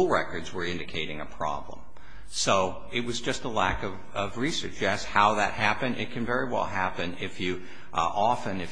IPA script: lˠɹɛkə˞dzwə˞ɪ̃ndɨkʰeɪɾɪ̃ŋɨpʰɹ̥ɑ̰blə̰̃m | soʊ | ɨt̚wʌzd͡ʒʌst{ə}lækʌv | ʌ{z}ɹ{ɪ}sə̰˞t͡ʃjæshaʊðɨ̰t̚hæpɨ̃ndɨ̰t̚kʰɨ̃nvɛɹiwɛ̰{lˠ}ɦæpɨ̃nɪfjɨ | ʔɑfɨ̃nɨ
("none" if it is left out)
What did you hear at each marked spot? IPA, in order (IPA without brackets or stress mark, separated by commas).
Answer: ə, v, i, lˠ